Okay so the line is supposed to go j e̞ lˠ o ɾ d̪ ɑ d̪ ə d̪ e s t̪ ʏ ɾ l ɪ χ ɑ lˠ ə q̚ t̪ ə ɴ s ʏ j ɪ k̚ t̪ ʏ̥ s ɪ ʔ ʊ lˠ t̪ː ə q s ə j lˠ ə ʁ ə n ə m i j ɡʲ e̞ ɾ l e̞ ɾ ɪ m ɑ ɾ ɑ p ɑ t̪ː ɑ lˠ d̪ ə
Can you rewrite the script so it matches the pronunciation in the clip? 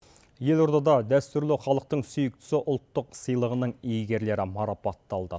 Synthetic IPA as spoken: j e̞ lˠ o ɾ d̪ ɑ d̪ ɑ d̪ æ s t̪ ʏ ɾ l ɪ χ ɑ lˠ ə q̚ t̪ ə ɴ s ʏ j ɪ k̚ t̪ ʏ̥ s ɪ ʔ ʊ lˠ t̪ː ə q s ə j lˠ ə ʁ ə n ə ɴ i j ɡʲ e̞ ɾ l e̞ ɾ ɪ m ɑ ɾ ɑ p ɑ t̪ː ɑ lˠ d̪ ə